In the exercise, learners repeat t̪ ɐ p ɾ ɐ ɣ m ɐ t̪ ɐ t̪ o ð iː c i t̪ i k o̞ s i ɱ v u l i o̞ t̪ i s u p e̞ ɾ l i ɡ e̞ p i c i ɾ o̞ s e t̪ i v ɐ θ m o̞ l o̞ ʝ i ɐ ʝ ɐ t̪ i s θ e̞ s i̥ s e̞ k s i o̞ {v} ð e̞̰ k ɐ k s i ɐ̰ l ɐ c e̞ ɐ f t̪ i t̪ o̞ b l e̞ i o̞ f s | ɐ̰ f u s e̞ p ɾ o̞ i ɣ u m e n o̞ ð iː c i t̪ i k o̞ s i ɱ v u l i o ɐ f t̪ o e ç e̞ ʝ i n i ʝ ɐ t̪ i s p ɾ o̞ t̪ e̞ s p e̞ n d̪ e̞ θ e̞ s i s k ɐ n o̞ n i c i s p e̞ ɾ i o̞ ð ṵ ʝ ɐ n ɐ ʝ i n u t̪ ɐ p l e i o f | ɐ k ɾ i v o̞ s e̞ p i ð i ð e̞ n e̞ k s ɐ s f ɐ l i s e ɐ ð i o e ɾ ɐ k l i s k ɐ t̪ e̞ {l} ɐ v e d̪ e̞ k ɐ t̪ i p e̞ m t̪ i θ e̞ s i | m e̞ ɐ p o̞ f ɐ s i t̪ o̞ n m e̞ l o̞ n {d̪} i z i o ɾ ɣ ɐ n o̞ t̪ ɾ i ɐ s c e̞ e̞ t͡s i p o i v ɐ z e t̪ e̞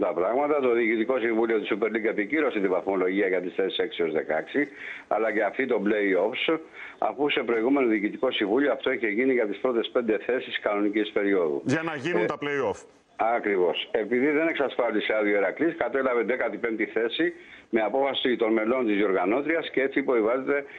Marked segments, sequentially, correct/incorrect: incorrect, correct, incorrect

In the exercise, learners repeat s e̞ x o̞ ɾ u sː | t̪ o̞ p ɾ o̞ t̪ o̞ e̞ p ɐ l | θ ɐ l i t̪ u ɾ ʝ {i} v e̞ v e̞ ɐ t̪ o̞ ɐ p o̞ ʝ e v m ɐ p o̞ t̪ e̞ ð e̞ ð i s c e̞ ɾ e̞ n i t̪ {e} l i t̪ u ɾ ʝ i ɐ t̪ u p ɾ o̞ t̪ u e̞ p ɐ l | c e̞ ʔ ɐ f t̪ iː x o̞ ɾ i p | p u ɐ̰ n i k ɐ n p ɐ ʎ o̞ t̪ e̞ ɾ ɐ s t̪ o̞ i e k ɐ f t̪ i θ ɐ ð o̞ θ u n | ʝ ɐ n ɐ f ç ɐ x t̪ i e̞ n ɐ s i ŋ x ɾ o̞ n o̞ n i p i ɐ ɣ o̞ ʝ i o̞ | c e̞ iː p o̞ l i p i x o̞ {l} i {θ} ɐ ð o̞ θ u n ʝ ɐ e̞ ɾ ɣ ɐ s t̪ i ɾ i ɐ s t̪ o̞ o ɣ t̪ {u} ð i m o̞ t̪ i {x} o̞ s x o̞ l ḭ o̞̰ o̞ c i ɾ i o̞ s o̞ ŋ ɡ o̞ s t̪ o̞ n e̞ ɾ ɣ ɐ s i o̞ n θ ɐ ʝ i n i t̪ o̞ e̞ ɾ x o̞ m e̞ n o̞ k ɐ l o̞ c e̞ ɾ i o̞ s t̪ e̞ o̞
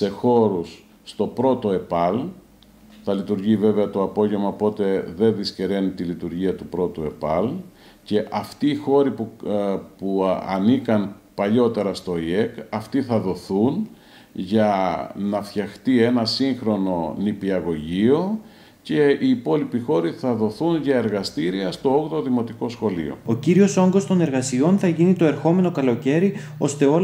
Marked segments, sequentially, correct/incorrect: correct, incorrect, incorrect, correct, incorrect, incorrect

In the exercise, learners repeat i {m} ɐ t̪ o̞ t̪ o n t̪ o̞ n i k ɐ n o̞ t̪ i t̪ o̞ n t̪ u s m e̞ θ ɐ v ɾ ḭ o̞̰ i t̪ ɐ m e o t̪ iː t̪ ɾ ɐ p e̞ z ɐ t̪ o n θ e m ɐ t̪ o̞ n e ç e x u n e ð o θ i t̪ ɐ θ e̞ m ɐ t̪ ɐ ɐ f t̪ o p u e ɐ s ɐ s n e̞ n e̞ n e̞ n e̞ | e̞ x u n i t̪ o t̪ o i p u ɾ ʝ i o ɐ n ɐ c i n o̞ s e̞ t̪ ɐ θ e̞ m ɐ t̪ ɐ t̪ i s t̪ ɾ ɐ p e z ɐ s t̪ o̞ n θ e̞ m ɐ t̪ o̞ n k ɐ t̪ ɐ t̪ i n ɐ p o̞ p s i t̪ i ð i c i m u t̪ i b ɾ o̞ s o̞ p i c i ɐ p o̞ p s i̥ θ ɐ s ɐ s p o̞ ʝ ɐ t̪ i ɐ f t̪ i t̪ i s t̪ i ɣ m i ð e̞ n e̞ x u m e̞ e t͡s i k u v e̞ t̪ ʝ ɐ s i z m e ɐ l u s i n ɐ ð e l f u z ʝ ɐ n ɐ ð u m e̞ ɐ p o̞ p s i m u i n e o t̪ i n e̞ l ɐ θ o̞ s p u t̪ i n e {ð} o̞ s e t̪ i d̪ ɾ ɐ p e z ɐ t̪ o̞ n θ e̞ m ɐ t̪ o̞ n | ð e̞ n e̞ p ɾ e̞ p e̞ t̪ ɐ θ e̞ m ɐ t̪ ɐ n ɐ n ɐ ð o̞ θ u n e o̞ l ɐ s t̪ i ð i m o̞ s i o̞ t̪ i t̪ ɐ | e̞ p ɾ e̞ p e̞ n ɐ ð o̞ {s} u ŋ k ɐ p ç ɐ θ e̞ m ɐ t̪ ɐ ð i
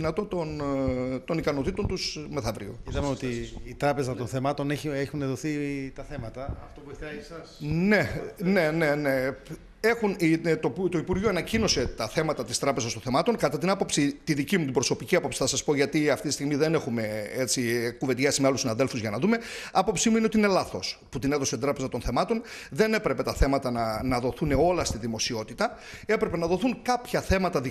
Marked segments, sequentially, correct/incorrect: incorrect, correct, incorrect

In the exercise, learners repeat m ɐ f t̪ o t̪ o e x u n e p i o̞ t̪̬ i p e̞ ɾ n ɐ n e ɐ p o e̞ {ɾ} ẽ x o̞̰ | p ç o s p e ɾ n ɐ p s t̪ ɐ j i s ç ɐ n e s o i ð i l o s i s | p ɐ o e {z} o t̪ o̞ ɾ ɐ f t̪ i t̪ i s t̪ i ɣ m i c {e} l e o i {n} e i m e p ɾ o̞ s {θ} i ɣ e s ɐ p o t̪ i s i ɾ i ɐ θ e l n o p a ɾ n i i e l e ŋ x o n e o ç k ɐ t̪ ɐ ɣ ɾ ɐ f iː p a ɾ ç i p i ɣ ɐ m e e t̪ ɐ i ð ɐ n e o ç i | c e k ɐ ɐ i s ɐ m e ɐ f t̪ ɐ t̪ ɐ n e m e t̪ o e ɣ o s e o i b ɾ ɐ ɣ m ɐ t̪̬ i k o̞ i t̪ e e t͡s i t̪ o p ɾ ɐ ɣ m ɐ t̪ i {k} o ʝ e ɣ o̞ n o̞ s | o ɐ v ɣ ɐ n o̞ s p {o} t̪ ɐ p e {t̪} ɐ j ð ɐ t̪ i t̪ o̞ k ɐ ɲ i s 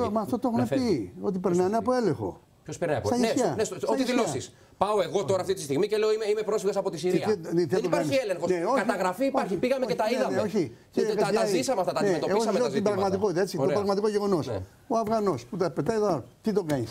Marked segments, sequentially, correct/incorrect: incorrect, incorrect, correct, incorrect, incorrect, correct, incorrect, correct

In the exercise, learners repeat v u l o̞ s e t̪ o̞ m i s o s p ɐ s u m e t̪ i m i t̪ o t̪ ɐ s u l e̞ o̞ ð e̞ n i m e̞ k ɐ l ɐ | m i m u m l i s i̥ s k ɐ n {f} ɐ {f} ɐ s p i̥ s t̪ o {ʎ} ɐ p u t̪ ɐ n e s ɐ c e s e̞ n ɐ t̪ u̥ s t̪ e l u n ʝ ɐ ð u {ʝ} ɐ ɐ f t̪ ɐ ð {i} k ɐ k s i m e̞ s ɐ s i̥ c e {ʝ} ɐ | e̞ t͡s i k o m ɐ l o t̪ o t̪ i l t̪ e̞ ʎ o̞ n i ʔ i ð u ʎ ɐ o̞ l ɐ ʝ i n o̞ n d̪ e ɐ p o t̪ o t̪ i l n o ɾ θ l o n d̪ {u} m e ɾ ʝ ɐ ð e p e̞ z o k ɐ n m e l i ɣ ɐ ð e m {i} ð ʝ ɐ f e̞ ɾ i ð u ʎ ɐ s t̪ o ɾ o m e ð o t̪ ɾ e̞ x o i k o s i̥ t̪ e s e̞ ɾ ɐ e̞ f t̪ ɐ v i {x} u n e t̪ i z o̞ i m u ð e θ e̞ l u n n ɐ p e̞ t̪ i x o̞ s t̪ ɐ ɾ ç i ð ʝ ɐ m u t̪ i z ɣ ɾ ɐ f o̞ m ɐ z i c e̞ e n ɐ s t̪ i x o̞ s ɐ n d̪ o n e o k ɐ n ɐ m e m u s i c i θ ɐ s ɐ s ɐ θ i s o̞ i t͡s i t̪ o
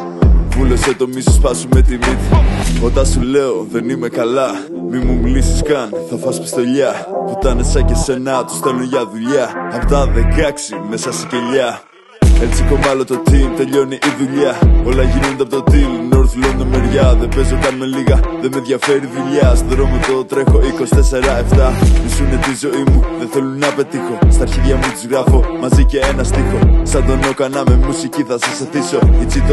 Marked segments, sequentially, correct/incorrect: incorrect, correct, correct, incorrect, incorrect, incorrect, incorrect, incorrect, incorrect

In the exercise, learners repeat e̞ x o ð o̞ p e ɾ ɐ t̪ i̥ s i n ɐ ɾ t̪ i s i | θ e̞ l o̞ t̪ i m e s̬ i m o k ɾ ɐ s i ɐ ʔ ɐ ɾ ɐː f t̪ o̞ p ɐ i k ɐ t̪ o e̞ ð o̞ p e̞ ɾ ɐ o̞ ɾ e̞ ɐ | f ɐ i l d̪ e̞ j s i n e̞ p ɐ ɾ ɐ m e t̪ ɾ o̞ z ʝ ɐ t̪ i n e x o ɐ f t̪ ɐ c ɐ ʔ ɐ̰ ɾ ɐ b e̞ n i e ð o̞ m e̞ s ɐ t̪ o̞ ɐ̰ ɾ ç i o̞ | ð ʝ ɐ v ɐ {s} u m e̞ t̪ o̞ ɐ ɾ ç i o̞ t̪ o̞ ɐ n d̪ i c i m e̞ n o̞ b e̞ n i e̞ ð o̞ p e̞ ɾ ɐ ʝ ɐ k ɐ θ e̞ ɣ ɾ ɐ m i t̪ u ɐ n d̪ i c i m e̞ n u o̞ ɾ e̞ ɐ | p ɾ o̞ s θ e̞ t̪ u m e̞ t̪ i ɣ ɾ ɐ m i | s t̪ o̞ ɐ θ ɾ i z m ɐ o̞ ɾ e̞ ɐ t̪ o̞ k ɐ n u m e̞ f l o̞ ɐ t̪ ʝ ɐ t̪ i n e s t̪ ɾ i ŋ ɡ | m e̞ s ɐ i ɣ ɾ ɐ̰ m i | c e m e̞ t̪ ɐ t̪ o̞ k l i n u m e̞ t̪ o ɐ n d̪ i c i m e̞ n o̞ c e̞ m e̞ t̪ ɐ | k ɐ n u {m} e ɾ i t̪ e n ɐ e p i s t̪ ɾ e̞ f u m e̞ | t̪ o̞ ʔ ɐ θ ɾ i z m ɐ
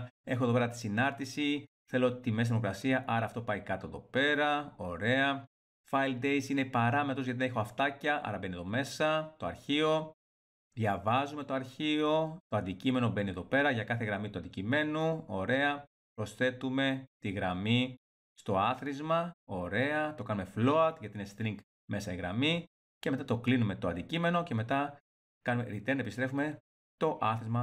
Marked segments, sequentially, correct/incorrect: incorrect, correct

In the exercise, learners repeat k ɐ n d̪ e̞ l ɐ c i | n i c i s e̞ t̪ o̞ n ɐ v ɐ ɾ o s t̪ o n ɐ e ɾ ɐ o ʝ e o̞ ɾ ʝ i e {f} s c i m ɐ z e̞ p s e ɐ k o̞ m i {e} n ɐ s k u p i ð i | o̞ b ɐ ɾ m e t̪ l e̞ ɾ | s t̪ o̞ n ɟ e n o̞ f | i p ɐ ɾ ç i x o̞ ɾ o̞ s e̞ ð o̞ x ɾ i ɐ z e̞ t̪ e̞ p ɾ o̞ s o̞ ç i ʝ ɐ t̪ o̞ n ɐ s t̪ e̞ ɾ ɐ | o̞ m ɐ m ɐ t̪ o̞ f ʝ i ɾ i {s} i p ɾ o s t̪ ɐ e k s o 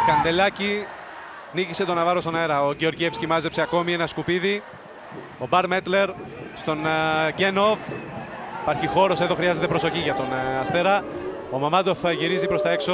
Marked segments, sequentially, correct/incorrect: correct, correct, incorrect

